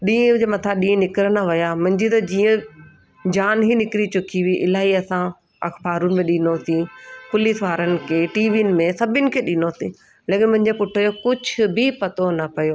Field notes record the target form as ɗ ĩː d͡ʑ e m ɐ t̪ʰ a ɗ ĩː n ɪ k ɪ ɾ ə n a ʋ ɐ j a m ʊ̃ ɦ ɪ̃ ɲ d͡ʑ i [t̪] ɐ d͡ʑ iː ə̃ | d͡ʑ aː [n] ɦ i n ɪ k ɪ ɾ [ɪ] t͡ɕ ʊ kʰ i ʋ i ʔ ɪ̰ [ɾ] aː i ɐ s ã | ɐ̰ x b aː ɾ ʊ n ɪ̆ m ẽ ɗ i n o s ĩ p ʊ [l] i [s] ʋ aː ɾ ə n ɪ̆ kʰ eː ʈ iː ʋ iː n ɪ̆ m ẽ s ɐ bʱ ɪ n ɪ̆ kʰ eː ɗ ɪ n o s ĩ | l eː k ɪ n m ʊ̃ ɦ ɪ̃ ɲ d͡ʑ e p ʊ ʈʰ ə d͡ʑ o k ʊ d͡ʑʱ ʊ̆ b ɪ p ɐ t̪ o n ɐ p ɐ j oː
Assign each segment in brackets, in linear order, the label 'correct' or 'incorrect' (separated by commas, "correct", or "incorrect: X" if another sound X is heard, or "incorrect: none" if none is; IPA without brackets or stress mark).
correct, correct, incorrect: i, incorrect: l, correct, correct